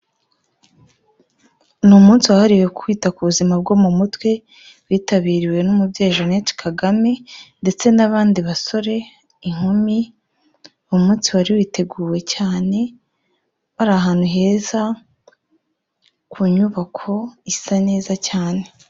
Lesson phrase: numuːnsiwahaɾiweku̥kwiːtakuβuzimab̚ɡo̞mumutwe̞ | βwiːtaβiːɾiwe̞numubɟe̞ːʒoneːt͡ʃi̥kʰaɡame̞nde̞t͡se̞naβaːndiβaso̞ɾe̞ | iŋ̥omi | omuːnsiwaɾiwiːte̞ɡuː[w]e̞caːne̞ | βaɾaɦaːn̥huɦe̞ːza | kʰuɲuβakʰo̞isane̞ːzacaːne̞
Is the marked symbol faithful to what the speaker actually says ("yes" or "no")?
yes